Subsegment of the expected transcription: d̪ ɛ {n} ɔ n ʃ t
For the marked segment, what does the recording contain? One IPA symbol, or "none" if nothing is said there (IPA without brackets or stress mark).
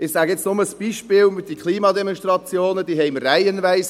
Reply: m